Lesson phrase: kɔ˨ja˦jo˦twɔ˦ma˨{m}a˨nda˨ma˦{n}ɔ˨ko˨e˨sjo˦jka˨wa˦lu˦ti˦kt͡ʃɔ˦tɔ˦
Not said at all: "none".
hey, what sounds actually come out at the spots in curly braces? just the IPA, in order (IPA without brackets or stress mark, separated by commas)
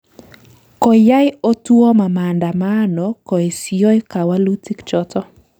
m, n